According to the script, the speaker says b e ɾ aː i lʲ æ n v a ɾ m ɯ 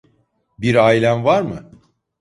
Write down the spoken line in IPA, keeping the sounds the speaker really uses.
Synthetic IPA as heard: b i ɾ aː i lʲ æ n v a ɾ m ɯ